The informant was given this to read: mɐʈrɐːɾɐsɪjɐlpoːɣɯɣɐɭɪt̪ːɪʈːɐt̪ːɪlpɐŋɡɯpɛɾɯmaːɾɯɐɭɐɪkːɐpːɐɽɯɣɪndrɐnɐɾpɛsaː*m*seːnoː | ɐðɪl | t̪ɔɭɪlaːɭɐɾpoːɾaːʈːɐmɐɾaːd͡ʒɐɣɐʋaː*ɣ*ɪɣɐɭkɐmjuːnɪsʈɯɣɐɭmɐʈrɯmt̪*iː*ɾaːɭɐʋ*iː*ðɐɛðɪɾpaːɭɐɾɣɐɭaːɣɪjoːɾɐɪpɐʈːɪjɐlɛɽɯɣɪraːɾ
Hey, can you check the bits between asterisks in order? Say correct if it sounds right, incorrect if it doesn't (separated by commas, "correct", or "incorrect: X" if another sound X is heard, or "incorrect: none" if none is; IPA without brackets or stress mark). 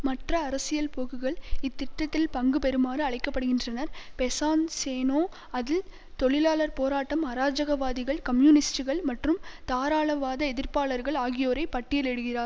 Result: incorrect: n, incorrect: ð, incorrect: aː, incorrect: aː